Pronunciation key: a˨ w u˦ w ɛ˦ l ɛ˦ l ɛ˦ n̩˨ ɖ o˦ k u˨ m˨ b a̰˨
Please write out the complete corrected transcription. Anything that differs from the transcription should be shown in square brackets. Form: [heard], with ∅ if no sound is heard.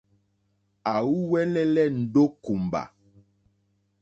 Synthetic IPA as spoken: a˨ w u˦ w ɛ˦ l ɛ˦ l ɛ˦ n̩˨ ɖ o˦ k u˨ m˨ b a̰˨